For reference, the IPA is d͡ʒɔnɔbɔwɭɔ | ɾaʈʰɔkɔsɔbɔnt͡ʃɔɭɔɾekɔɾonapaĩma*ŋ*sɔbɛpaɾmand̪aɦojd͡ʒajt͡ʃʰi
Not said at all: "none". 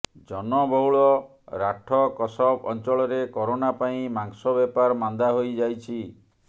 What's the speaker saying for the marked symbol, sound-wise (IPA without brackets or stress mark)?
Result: ŋ